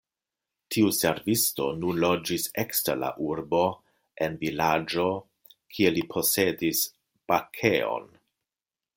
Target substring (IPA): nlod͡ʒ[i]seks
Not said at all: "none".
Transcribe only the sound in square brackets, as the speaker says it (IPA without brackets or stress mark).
i